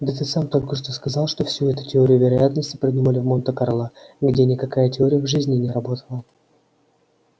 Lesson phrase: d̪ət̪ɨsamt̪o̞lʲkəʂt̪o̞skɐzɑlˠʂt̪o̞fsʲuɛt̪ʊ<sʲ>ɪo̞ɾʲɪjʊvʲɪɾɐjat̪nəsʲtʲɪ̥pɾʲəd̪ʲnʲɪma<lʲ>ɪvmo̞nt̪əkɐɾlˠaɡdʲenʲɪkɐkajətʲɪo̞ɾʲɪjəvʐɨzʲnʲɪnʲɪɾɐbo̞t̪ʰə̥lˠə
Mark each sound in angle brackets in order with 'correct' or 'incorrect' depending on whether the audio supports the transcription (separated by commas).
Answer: incorrect, correct